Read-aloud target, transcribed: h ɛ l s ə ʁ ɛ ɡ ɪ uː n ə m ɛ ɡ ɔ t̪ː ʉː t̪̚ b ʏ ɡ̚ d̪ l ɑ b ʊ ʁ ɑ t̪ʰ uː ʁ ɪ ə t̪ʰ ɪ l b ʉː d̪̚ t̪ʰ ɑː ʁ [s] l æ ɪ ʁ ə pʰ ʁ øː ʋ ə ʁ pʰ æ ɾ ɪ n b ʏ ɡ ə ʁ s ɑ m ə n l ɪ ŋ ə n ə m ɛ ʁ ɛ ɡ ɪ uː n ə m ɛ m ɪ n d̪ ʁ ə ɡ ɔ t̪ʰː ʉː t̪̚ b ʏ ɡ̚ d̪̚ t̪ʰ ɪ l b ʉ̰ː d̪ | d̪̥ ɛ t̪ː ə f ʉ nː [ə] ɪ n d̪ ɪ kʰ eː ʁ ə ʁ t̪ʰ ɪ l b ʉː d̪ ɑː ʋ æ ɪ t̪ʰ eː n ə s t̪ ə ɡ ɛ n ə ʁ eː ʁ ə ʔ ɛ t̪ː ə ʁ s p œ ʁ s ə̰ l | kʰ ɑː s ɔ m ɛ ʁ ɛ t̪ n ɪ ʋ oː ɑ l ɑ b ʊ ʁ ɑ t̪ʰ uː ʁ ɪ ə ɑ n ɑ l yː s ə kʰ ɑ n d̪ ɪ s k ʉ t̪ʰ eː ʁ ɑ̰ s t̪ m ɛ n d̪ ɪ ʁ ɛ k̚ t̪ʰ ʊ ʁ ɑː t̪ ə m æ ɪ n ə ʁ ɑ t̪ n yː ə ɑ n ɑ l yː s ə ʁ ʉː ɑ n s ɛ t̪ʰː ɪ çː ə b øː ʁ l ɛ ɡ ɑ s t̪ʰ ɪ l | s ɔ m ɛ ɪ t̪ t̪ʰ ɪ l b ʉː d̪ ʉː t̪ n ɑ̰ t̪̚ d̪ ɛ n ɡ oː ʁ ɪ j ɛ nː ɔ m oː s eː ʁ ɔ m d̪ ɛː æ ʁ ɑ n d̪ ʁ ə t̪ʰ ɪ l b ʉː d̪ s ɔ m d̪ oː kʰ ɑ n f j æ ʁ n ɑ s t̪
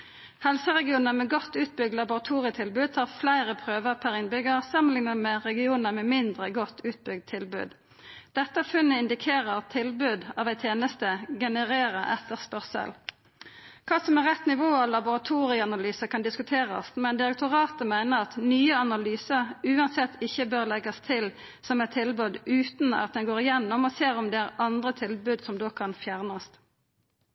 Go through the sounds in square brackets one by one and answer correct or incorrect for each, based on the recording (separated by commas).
incorrect, correct